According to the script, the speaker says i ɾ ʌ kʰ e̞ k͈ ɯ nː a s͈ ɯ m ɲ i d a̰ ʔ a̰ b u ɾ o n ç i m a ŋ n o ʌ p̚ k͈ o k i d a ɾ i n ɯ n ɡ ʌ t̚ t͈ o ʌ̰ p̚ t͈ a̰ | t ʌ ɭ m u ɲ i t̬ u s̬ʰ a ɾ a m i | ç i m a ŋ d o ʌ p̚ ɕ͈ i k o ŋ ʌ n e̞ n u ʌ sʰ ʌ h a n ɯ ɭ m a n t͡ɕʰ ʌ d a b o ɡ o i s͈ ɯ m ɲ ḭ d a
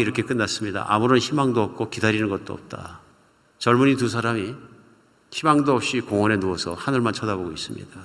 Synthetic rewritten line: i ɾ ʌ kʰ e̞ k͈ ɯ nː a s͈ ɯ m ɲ i d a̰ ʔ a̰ m u ɾ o n ç i m a ŋ d o ʌ p̚ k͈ o k i d a ɾ i n ɯ n ɡ ʌ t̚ t͈ o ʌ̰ p̚ t͈ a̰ | t͡ɕ ʌ ɭ m u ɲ i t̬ u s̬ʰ a ɾ a m i | ç i m a ŋ d o ʌ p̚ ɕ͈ i k o ŋ ʌ n e̞ n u ʌ sʰ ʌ h a n ɯ ɭ m a n t͡ɕʰ ʌ d a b o ɡ o i s͈ ɯ m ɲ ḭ d a